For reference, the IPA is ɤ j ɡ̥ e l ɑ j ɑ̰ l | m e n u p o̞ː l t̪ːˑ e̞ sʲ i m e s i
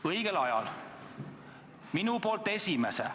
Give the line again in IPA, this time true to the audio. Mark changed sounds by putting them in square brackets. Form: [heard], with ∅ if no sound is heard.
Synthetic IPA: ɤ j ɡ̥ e l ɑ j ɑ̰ l | m [i] n u p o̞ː l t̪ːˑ e̞ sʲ i m e s [e]